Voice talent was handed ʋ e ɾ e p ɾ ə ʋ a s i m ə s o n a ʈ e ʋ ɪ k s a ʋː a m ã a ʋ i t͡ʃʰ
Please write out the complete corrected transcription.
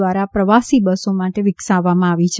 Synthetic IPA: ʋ a ɾ a p ɾ ə ʋ a s i b ə s o m a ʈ e ʋ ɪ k s a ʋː a m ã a ʋ i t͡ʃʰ